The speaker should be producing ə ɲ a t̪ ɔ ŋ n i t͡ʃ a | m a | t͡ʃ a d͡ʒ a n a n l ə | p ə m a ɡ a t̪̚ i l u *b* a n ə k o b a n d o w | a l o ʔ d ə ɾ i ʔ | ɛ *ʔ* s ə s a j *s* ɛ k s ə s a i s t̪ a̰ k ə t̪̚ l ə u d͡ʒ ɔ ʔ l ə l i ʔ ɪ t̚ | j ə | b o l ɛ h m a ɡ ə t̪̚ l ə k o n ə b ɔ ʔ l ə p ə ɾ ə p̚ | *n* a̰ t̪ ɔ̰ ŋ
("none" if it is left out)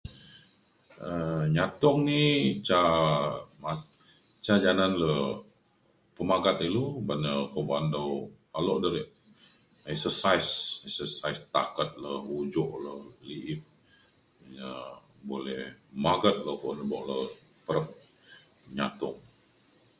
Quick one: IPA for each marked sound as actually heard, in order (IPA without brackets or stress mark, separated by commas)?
b, k, s, ɲ